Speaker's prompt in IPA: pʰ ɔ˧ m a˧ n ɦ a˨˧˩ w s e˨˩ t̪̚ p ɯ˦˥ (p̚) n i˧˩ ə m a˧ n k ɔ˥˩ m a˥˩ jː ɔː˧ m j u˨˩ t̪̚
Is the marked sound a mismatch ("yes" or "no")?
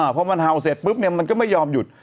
no